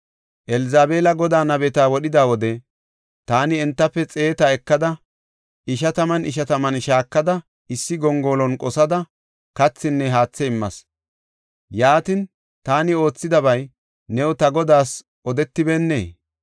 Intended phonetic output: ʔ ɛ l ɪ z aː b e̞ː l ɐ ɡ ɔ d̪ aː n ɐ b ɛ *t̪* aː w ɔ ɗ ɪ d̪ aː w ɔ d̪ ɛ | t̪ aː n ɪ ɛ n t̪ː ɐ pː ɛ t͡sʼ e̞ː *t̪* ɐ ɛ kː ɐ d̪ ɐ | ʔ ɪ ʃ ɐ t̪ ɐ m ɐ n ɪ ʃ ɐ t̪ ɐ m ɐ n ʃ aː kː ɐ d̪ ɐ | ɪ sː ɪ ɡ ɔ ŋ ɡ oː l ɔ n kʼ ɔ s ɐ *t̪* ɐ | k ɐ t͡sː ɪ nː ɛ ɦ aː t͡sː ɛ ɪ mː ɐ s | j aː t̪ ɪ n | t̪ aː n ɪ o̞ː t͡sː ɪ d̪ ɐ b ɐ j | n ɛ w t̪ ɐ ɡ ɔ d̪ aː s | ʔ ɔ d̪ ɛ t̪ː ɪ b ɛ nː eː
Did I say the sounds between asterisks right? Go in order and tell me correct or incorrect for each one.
correct, correct, incorrect

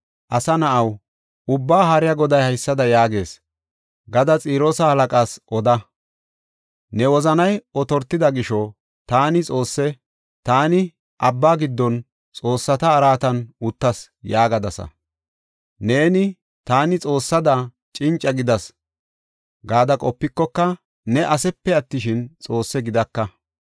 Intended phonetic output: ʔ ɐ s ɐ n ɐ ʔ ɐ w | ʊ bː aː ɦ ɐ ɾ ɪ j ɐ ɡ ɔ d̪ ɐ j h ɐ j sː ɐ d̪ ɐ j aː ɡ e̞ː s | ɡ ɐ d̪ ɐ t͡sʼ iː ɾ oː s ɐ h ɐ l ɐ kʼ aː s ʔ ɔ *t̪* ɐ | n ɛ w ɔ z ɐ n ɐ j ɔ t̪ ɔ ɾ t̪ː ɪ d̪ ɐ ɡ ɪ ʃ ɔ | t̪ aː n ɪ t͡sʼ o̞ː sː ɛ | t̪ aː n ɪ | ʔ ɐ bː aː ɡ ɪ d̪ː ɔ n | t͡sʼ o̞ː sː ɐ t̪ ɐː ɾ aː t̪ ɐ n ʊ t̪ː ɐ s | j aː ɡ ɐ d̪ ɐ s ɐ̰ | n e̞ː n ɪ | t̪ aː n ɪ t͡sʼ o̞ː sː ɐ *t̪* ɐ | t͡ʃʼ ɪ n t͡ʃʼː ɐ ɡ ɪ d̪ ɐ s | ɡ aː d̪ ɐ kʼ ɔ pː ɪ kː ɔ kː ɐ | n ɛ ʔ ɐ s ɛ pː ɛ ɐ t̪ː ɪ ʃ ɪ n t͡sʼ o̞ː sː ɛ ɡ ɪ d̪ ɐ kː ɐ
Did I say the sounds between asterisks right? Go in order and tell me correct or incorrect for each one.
incorrect, incorrect

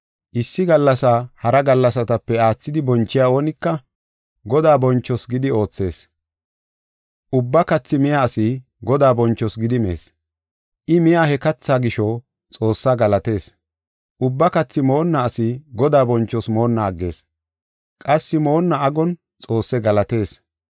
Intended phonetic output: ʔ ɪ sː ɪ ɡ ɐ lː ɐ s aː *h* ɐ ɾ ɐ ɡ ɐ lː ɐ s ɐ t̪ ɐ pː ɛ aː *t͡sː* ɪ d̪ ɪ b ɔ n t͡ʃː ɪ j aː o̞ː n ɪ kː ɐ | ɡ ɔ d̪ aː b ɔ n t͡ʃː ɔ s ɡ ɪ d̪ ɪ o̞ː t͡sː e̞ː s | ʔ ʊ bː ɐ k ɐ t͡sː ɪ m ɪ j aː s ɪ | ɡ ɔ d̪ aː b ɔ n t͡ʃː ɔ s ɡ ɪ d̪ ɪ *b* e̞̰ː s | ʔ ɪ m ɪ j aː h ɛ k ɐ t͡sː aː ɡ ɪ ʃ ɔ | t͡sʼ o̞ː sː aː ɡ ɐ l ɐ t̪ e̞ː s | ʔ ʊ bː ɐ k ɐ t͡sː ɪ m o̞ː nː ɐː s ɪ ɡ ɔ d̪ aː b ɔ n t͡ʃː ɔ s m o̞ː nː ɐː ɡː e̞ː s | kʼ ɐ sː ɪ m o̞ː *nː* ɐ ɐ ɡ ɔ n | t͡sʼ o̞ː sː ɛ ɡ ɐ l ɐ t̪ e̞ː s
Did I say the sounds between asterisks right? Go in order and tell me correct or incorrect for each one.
correct, correct, incorrect, correct

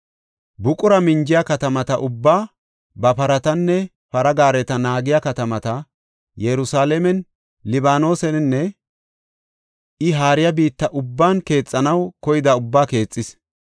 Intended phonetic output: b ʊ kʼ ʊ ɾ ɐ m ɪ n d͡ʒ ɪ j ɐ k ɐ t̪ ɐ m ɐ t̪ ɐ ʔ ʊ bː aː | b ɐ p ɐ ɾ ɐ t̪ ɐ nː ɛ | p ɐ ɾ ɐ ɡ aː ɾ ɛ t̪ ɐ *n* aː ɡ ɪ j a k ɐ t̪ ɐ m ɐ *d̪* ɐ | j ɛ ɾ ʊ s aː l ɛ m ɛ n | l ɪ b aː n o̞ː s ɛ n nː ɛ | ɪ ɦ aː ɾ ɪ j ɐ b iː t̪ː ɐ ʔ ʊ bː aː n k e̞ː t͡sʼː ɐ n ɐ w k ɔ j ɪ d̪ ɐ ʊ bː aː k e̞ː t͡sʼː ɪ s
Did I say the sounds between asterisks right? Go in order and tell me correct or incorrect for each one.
correct, incorrect

